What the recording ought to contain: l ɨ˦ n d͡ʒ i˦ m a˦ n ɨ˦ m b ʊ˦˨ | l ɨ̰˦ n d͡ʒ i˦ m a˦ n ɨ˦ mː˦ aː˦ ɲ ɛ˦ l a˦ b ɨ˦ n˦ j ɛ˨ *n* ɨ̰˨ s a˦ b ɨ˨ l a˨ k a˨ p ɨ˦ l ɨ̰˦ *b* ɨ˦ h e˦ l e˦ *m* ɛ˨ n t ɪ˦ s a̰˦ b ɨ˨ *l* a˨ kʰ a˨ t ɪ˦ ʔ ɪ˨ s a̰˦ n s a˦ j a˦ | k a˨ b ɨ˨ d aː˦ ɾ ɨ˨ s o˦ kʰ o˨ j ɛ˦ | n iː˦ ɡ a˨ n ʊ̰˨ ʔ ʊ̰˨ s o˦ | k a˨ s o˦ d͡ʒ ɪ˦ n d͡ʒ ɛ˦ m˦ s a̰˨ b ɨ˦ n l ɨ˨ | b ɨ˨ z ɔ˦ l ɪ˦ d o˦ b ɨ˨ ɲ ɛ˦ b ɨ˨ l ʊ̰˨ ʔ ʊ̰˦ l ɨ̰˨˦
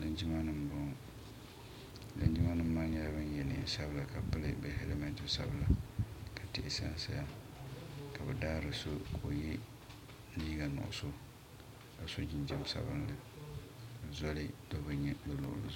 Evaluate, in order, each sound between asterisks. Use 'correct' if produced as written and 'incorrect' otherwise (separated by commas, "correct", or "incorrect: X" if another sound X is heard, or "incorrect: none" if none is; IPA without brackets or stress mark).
correct, correct, correct, correct